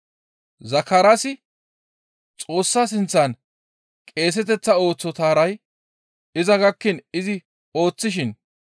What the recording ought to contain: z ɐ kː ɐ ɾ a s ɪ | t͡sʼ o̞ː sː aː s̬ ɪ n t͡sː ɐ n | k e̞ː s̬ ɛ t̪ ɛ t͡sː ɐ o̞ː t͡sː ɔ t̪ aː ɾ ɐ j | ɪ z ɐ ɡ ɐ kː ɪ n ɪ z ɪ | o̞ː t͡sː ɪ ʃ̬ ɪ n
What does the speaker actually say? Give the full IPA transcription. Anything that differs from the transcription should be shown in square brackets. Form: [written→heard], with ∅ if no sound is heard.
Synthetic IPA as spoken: z ɐ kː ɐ ɾ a s ɪ | t͡sʼ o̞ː sː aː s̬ ɪ n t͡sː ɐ n | [k→kʼ] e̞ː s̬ ɛ t̪ ɛ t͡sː ɐ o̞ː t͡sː ɔ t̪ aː ɾ ɐ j | ɪ z ɐ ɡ ɐ kː ɪ n ɪ z ɪ | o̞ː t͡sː ɪ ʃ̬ ɪ n